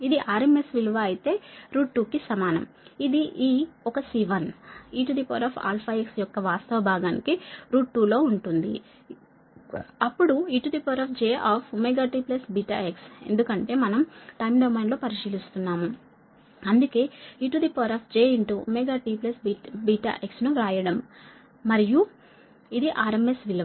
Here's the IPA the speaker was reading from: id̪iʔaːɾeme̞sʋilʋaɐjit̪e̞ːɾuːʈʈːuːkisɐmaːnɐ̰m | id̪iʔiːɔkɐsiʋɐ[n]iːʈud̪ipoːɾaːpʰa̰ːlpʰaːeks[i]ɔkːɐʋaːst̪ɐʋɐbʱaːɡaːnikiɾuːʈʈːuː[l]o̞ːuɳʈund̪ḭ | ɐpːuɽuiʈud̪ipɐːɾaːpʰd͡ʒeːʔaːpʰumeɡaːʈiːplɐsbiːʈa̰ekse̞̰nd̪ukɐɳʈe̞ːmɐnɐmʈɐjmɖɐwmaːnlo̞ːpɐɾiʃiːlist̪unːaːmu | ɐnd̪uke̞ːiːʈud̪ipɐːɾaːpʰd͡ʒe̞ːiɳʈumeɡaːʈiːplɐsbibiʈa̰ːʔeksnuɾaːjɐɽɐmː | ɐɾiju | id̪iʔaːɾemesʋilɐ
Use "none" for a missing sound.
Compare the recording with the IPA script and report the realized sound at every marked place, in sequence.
n, j, l

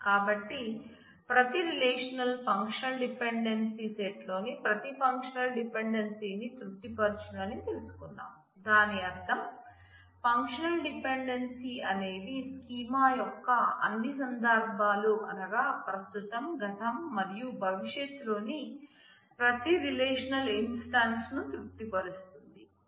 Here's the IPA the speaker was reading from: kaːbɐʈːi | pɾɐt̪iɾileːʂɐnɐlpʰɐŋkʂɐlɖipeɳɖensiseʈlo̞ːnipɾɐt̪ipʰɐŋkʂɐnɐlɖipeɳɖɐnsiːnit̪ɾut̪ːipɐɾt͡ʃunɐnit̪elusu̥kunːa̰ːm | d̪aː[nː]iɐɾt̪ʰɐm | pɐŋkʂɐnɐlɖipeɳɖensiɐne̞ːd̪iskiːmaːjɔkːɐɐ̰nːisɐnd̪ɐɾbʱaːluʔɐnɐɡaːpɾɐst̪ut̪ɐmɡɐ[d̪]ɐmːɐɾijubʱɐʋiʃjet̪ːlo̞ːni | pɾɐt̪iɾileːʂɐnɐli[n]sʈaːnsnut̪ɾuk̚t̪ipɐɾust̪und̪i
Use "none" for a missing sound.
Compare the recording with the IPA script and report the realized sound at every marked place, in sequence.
n, t̪, n

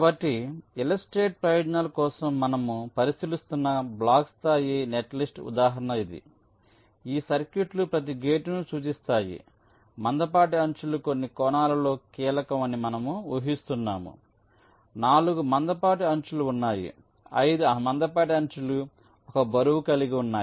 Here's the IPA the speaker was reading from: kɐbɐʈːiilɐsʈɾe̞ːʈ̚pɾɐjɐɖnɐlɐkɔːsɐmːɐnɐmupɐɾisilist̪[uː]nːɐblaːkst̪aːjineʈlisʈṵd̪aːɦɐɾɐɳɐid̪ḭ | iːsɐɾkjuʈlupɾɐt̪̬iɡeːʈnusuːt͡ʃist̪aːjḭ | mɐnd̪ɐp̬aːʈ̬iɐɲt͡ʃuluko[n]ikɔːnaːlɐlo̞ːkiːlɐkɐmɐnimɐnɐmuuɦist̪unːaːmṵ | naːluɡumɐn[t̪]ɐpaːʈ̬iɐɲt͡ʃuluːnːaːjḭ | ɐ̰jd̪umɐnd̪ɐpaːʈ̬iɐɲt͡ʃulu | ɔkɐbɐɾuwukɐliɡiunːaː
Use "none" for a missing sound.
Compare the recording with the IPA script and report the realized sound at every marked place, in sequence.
u, nː, d̪

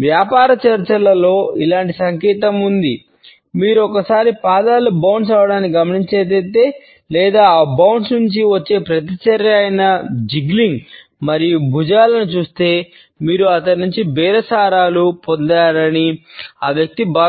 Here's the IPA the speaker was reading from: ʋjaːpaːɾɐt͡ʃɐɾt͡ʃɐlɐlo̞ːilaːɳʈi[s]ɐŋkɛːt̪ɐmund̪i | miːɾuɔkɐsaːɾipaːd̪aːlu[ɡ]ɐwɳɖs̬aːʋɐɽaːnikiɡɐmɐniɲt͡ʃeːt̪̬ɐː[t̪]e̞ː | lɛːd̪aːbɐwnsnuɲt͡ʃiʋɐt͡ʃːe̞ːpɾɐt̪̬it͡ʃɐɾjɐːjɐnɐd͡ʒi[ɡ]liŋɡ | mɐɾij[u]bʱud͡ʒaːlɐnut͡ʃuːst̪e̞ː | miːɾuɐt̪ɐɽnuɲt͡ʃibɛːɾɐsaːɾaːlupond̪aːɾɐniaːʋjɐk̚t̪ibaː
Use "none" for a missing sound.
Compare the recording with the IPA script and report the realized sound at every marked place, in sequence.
s, b, t̪, ɡ, u

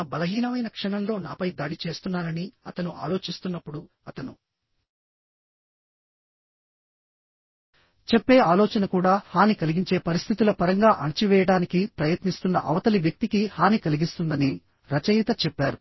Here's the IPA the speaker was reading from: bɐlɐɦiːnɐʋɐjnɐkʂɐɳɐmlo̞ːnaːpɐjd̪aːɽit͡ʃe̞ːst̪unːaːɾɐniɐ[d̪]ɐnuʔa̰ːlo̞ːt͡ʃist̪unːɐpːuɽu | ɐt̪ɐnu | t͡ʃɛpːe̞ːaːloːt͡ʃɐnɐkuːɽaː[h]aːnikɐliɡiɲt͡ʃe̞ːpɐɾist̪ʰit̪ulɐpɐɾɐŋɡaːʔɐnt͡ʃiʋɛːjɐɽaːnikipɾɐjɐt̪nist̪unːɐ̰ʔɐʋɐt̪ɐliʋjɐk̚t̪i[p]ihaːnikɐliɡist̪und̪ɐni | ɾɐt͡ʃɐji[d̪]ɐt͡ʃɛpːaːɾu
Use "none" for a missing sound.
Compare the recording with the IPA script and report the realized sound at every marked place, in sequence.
t̪, h, k, t̪

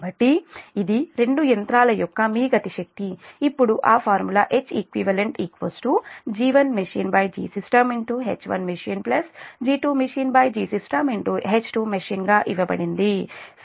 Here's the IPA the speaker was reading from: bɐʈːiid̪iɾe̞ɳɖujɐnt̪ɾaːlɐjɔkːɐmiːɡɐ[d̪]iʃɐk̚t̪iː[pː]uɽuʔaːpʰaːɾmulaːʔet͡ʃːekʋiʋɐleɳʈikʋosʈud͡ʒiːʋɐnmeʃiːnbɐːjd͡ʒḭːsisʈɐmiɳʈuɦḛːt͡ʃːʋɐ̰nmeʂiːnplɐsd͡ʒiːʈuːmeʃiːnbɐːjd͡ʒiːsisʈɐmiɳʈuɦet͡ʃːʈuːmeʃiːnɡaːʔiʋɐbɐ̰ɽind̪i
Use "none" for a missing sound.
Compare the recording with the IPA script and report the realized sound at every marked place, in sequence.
t̪, pː

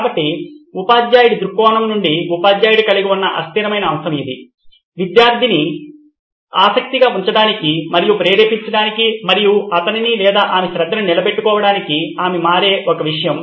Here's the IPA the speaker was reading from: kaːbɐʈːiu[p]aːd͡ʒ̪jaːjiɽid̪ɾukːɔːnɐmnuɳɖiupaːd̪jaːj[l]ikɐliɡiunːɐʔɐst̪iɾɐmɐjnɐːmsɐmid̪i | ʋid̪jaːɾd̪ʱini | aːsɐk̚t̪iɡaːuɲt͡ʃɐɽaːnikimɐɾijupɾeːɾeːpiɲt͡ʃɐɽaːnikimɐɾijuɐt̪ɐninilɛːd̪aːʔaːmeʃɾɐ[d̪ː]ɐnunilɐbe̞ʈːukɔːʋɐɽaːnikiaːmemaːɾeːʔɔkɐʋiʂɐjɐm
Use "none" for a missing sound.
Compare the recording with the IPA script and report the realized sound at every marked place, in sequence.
p, ɽ, d̪ː

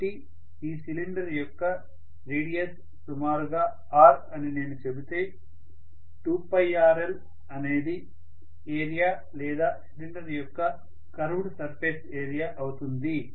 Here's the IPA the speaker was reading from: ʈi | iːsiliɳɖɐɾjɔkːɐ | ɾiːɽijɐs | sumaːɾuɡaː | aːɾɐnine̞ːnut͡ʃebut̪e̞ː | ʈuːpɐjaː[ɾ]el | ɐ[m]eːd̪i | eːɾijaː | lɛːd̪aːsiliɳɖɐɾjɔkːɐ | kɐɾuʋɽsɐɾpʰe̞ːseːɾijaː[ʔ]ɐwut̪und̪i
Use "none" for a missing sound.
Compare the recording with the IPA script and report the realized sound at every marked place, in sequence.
ɾ, n, ʔ

